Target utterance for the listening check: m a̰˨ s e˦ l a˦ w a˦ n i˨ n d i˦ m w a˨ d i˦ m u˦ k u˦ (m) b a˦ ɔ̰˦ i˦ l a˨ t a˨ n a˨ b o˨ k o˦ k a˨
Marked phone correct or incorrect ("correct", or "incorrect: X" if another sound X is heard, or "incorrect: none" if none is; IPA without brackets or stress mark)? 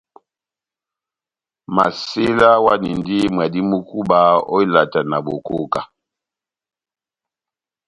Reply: incorrect: none